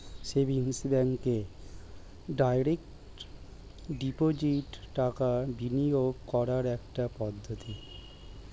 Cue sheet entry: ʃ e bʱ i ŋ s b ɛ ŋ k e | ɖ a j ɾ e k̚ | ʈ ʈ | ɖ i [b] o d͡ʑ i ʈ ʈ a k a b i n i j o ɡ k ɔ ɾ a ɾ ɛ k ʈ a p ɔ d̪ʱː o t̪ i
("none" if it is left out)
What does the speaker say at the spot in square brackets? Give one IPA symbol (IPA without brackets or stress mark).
p